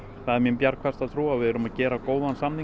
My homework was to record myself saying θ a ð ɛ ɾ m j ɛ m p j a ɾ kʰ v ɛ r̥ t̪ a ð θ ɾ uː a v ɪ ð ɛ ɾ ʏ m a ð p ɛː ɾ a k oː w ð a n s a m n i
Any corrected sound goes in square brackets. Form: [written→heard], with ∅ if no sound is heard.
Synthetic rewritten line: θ a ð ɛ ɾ m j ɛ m p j a ɾ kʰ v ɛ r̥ t̪ a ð θ ɾ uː a v ɪ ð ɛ ɾ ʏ m a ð [p→c] ɛː ɾ a k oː w ð a n s a m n i